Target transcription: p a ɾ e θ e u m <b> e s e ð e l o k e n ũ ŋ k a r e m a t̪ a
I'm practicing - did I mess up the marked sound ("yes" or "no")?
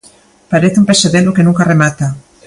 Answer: yes